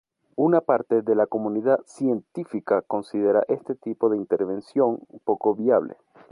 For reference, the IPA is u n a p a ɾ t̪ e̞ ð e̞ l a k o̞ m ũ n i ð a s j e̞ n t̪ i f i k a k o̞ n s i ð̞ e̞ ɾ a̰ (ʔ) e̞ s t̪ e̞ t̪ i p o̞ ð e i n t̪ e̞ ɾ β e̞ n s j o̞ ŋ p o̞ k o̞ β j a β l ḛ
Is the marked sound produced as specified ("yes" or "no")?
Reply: yes